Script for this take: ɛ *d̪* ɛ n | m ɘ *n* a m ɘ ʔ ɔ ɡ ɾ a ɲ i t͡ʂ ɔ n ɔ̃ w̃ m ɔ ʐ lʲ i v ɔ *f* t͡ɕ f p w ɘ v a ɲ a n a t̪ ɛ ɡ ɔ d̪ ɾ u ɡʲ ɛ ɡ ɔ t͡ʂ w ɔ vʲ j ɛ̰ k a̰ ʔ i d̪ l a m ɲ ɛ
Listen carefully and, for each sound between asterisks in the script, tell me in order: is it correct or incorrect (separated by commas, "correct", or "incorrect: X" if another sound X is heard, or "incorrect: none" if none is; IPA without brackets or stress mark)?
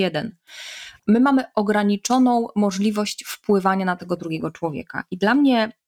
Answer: correct, incorrect: m, incorrect: ɕ